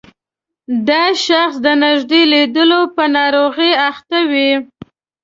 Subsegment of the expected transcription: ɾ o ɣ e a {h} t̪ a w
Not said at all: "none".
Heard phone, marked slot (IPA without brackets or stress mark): x